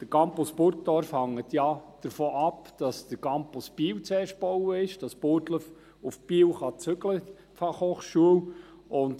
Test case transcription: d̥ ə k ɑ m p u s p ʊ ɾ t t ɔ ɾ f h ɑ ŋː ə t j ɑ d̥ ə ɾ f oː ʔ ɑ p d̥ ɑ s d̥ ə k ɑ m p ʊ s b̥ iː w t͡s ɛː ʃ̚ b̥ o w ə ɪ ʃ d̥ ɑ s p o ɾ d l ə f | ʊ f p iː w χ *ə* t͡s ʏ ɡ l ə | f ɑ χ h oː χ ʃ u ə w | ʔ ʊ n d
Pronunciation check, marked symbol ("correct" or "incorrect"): incorrect